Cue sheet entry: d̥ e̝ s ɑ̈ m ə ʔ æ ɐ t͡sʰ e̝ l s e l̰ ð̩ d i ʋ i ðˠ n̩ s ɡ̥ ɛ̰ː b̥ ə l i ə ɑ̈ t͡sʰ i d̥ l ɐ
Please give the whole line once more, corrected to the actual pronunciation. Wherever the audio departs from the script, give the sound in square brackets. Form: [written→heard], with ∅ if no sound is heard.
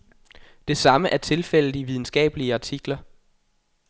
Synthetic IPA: d̥ e̝ s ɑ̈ m ə ʔ æ ɐ t͡sʰ e̝ l [s→f] e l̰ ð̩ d i ʋ i ðˠ n̩ s ɡ̥ ɛ̰ː b̥ ə l i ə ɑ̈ t͡sʰ i [d̥→ɡ̥] l ɐ